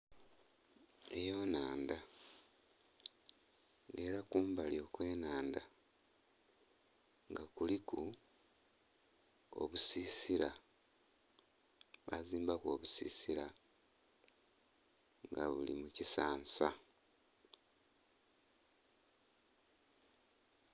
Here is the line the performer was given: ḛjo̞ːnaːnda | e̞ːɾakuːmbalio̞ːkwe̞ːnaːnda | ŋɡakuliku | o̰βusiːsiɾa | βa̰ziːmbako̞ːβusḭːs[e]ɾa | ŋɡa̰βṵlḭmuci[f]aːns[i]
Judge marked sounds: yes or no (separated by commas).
no, no, no